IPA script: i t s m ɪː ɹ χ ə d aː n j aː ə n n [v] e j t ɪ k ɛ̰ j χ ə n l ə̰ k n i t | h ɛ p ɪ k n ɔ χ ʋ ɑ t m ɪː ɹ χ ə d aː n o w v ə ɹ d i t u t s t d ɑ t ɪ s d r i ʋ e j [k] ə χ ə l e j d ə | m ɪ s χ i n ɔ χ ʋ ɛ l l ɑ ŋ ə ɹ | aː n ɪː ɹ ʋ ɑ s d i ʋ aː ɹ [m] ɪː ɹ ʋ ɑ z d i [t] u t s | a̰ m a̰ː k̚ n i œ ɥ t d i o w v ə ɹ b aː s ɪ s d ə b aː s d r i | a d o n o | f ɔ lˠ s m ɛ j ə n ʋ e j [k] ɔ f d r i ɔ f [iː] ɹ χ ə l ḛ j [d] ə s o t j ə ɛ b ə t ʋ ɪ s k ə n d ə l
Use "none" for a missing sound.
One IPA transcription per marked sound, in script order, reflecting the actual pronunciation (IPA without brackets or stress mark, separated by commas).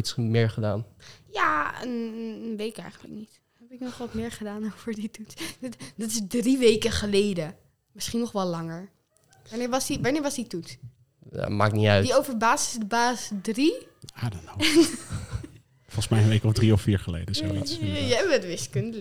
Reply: ʋ, k, n, t, k, iː, d